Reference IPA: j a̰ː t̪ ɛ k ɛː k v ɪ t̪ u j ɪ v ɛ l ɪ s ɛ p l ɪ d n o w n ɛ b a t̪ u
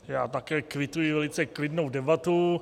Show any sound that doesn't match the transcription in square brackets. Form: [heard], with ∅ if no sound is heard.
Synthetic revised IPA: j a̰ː t̪ [a] k ɛː k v ɪ t̪ u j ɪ v ɛ l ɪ [t͡s] ɛ [k] l ɪ d n o w [d] ɛ b a t̪ u

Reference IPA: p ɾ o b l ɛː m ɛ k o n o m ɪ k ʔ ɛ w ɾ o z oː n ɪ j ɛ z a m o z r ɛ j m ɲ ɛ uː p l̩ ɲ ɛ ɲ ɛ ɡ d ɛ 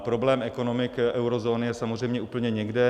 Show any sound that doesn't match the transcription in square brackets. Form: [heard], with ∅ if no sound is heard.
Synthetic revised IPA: p ɾ o b l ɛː m ɛ k o n o m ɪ k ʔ ɛ w ɾ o z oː n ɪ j ɛ [s] a m o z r ɛ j m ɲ ɛ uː p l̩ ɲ ɛ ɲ ɛ ɡ d ɛ

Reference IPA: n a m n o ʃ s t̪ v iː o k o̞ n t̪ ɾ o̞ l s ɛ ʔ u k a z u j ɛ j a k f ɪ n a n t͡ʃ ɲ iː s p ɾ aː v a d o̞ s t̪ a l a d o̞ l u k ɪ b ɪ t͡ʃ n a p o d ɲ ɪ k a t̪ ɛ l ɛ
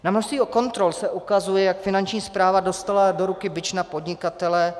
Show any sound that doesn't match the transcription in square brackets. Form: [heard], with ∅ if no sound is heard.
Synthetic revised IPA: n a m n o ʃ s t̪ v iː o k o̞ n t̪ ɾ o̞ l s ɛ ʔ u k a z u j ɛ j a k f ɪ n a n t͡ʃ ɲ iː s p ɾ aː v a d o̞ s t̪ a l a d o̞ [ɾ] u k ɪ b ɪ t͡ʃ n a p o d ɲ ɪ k a t̪ ɛ l ɛ

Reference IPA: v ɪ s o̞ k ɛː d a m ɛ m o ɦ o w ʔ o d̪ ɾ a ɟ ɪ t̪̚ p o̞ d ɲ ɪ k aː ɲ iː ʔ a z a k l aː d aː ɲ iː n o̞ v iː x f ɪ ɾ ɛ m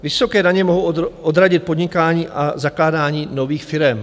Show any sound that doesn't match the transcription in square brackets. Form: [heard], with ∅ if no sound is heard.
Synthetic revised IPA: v ɪ s o̞ k ɛː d a [ɲ] ɛ m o ɦ o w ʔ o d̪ ɾ a ɟ ɪ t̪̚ p o̞ d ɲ ɪ k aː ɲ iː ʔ a z a k l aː d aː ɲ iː n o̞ v iː x f ɪ ɾ ɛ m

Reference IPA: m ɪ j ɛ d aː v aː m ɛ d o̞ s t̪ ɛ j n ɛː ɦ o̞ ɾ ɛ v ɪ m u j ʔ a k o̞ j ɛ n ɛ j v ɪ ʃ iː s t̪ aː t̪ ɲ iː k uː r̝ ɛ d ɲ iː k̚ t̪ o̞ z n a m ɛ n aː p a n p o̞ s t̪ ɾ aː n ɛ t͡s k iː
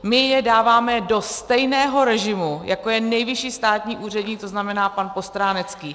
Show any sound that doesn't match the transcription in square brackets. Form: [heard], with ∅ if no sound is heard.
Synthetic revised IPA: m ɪ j ɛ d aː v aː m ɛ d o̞ s t̪ ɛ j n ɛː ɦ o̞ ɾ ɛ [ʒ] ɪ m u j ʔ a k o̞ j ɛ n ɛ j v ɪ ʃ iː s t̪ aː t̪ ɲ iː [ʔ] uː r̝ ɛ d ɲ iː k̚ t̪ o̞ z n a m ɛ n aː p a n p o̞ s t̪ ɾ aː n ɛ t͡s k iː

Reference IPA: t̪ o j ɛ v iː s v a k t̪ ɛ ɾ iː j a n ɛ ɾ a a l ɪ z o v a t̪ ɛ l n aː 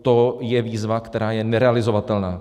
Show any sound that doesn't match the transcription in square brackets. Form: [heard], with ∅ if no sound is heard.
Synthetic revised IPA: t̪ o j ɛ v iː [z] v a k t̪ ɛ ɾ [aː] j [ɛ] n ɛ ɾ [ɛ] a l ɪ z o v a t̪ ɛ l n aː

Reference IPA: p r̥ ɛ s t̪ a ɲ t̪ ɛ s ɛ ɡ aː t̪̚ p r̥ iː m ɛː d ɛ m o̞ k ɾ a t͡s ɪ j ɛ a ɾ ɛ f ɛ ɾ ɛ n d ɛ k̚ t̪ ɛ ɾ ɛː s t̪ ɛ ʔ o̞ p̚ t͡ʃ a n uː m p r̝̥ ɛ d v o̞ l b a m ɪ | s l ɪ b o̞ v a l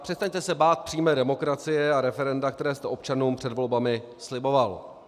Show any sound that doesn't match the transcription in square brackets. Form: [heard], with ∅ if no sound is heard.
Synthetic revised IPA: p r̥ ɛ s t̪ a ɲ t̪ ɛ s ɛ [b] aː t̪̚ p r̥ iː m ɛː d ɛ m o̞ k ɾ a t͡s ɪ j ɛ a ɾ ɛ f ɛ ɾ ɛ n d [a] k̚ t̪ ɛ ɾ ɛː s t̪ ɛ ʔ o̞ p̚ t͡ʃ a n uː m p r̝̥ ɛ d v o̞ l b a m ɪ | s l ɪ b o̞ v a l

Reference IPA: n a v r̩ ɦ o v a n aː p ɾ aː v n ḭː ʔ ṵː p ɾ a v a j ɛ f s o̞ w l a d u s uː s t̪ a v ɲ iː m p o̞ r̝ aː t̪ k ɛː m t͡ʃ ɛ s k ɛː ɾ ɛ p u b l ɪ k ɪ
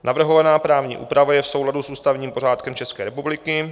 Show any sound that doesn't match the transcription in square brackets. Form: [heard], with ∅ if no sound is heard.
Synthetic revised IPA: n a v r̩ ɦ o v a n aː p ɾ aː v [ɲ] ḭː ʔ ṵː p ɾ a v a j ɛ f s o̞ w l a d u s uː s t̪ a v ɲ iː m p o̞ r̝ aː t̪ k [ɛ] m t͡ʃ ɛ s k ɛː ɾ ɛ p u b l ɪ k ɪ

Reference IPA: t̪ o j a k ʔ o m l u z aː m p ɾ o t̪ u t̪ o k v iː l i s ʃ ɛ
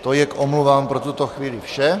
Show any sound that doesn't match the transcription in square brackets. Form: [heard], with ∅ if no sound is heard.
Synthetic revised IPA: t̪ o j [ɛ] k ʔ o m l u [v] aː m p ɾ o t̪ u t̪ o [x] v iː l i [f] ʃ ɛ

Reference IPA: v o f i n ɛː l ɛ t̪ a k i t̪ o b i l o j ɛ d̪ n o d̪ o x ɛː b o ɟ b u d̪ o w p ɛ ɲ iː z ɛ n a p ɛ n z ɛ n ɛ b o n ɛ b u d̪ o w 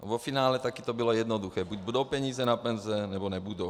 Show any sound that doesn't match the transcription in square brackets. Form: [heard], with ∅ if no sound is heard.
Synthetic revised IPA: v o f i n [aː] l ɛ t̪ a k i t̪ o b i l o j ɛ d̪ n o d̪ [u] x ɛː b [u] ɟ b u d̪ o w p ɛ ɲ iː z ɛ n a p ɛ n z ɛ n ɛ b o n ɛ b u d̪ o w

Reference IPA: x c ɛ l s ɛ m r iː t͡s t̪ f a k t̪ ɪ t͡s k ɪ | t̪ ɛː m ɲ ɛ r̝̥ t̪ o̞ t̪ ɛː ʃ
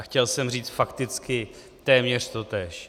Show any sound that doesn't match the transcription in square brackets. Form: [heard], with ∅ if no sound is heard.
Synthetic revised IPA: x c ɛ l s ɛ m r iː t͡s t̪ f a k t̪ ɪ t͡s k ɪ | t̪ ɛː m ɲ ɛ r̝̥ t̪ o̞ t̪ ɛː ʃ

